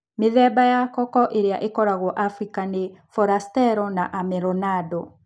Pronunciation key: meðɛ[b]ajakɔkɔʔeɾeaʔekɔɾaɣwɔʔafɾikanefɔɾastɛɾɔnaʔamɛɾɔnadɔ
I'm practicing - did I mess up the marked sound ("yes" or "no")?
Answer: no